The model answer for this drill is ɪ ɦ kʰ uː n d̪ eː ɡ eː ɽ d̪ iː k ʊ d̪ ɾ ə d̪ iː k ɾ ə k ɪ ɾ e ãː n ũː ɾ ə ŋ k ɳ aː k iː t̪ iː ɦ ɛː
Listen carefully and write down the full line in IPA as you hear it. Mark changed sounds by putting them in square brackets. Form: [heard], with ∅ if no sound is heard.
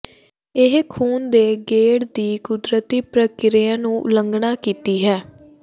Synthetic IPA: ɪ ɦ kʰ uː n d̪ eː ɡ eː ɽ d̪ iː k ʊ d̪ ɾ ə [t̪] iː [p] ɾ ə k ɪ ɾ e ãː n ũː [l] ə ŋ [ɡ] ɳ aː k iː t̪ iː ɦ ɛː